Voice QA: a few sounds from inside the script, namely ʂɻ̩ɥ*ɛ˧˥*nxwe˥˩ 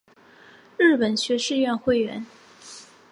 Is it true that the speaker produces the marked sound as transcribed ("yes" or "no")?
no